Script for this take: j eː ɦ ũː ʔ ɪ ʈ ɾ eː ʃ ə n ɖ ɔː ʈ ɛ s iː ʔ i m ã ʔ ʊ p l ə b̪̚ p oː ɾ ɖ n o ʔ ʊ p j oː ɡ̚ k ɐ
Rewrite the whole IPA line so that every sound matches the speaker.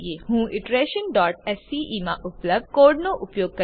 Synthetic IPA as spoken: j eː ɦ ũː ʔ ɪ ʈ ɾ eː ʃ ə n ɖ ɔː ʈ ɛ s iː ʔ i m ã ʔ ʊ p l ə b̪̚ k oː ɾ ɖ n o ʔ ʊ p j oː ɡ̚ k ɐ